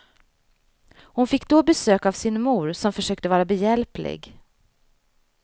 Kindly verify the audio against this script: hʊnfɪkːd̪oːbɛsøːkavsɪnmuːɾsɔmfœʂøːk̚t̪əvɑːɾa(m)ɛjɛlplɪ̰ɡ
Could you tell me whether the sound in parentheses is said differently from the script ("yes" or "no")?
yes